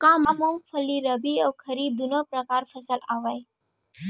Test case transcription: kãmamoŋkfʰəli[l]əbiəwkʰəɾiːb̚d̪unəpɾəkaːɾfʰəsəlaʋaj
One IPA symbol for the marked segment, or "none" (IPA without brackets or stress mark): ɾ